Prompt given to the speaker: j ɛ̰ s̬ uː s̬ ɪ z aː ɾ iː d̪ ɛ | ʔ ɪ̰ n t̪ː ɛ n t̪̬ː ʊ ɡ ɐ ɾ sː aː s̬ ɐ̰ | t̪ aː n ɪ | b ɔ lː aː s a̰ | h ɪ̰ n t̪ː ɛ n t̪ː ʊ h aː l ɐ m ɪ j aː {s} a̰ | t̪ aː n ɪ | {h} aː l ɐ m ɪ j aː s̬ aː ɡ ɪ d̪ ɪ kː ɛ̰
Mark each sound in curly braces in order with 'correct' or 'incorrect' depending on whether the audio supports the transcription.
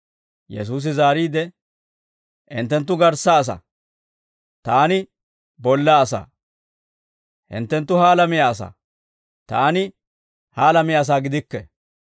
correct, correct

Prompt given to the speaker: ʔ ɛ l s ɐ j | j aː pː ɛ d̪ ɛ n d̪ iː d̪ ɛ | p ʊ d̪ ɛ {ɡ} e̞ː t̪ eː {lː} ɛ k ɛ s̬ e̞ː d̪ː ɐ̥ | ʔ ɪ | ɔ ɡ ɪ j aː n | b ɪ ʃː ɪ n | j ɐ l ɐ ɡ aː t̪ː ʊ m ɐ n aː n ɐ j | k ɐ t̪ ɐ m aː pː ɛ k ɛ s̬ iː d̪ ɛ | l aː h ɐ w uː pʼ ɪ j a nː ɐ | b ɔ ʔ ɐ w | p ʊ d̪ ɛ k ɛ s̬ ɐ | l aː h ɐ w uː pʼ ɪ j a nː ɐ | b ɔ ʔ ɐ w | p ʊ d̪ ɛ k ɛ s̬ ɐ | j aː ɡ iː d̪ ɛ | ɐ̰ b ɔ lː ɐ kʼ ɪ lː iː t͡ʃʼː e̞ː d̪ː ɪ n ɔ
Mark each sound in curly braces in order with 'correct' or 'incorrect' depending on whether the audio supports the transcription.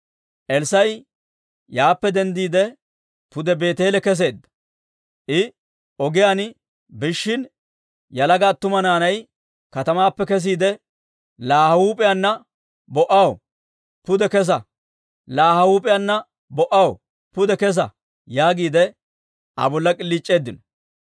incorrect: b, incorrect: l

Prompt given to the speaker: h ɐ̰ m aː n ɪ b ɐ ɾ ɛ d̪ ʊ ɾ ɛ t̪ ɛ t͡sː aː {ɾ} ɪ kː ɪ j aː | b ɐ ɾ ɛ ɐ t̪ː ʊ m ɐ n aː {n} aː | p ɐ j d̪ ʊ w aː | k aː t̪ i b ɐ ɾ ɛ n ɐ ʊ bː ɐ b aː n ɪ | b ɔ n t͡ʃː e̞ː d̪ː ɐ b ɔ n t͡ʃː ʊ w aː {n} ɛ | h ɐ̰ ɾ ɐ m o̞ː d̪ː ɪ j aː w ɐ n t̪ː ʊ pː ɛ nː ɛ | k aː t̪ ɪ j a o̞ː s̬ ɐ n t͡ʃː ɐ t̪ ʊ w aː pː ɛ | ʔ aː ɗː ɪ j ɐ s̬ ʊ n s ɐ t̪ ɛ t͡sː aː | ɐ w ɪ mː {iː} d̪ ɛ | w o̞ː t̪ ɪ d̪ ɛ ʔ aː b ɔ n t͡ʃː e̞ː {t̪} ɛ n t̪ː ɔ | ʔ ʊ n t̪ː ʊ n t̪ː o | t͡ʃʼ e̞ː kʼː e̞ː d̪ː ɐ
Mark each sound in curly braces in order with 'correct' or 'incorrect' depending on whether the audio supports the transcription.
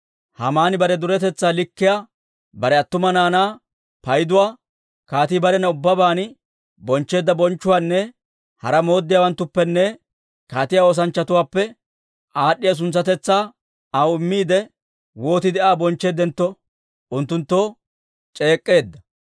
incorrect: l, correct, incorrect: nː, correct, incorrect: d̪

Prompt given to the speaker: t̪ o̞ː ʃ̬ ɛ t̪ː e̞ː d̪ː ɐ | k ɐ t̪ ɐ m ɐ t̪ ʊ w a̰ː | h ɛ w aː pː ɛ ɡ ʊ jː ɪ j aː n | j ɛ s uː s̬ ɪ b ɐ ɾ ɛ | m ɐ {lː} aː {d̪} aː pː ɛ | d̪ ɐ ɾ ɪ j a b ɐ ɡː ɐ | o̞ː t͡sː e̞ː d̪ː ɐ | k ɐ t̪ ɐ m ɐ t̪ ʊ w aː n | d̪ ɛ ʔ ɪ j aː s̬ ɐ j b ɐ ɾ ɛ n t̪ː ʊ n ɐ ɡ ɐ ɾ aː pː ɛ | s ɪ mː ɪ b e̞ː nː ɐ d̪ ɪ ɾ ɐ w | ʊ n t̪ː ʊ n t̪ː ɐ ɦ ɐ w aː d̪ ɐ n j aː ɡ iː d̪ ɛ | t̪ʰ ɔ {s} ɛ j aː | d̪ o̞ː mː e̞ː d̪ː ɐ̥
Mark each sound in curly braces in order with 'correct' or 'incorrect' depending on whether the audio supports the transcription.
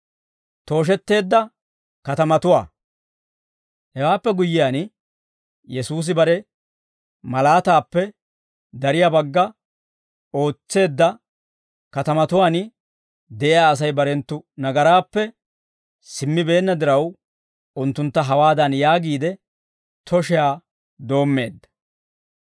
incorrect: l, incorrect: t̪, incorrect: ʃ

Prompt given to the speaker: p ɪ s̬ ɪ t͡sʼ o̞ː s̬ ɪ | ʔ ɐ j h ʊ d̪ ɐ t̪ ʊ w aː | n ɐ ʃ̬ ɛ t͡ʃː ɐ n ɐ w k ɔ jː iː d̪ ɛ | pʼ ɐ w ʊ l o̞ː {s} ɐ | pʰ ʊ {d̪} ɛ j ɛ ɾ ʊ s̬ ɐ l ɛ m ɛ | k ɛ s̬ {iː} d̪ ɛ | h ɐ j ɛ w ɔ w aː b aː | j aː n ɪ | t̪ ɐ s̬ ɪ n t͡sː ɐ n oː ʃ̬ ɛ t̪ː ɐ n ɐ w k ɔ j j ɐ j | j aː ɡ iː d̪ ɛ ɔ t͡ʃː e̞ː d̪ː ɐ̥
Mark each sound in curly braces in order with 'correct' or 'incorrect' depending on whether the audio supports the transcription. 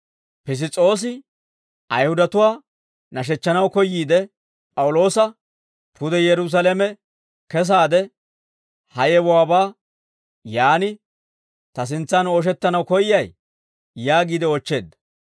correct, correct, incorrect: aː

